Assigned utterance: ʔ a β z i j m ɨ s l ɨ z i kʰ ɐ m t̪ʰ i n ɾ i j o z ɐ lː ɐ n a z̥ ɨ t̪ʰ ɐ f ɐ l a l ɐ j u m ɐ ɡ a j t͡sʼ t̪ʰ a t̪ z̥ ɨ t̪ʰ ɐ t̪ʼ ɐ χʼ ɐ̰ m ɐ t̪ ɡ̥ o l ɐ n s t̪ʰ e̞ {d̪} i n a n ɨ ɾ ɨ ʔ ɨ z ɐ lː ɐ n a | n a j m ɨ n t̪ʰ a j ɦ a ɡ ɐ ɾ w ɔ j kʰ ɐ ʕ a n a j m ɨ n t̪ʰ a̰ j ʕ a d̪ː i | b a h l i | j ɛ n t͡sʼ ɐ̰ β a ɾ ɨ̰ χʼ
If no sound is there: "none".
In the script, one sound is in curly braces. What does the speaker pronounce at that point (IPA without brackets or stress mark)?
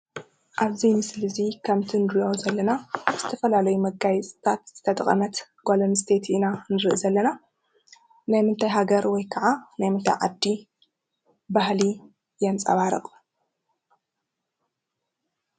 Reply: t̪